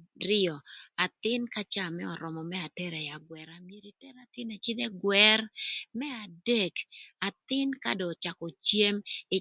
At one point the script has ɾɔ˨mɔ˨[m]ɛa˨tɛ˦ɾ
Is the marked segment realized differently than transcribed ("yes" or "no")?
no